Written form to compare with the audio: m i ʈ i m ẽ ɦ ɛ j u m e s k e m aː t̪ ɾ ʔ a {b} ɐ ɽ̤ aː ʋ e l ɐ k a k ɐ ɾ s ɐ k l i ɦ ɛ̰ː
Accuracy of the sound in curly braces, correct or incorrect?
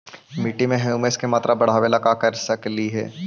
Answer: correct